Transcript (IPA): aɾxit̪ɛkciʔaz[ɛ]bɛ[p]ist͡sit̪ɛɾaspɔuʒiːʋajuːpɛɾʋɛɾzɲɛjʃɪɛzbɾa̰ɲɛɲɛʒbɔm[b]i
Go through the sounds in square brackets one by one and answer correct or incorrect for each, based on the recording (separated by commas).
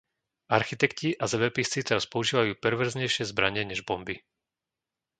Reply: correct, correct, correct